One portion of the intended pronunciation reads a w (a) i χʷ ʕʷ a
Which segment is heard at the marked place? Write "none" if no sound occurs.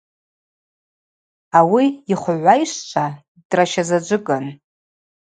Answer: i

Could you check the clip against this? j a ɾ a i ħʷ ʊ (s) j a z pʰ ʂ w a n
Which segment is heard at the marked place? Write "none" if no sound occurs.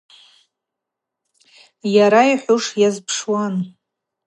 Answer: ʂ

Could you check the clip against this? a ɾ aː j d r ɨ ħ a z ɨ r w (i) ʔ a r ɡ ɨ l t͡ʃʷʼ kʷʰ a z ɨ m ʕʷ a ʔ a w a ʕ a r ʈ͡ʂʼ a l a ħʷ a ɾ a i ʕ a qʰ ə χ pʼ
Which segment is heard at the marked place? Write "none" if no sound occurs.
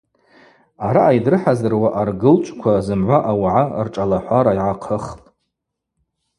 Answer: a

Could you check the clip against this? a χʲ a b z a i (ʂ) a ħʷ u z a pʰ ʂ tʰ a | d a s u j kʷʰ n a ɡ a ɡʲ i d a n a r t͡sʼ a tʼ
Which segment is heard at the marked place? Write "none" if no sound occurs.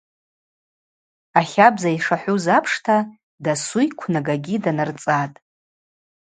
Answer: ʂ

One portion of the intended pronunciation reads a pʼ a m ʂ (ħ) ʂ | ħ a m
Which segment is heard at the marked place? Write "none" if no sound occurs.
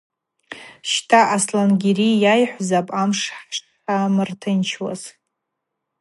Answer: ħ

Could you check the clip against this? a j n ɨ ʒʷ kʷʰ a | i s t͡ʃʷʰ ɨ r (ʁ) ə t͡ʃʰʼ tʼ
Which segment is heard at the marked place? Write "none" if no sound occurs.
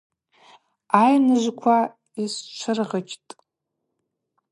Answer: ʁ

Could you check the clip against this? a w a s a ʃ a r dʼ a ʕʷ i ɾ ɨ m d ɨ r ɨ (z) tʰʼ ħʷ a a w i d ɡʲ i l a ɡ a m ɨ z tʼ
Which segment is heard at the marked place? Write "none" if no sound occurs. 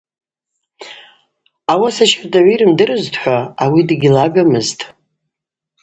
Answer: z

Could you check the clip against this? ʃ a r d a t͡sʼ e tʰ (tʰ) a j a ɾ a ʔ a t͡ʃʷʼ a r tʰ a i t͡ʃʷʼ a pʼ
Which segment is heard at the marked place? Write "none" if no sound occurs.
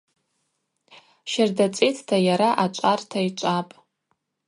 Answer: tʰ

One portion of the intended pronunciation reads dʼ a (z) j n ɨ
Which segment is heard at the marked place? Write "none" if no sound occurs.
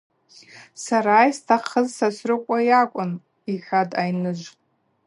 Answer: none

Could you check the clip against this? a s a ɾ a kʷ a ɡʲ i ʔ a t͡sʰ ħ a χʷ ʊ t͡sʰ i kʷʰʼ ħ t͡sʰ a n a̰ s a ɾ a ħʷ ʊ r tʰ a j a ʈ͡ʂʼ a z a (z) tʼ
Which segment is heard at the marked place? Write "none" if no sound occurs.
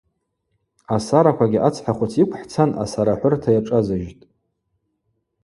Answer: ʒ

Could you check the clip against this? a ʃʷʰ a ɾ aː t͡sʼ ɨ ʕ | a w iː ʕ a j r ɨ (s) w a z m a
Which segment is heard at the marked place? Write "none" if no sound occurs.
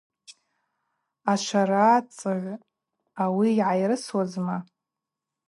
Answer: s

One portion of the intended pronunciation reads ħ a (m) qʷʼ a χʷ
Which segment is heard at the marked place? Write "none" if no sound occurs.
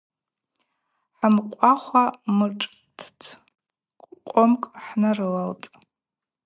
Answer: m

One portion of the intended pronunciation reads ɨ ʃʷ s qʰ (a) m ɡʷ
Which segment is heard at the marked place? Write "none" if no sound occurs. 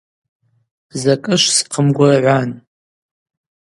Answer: ə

